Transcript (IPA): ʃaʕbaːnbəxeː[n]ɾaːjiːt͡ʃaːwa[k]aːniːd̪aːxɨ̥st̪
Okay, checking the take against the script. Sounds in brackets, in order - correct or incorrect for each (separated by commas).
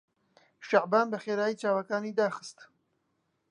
incorrect, correct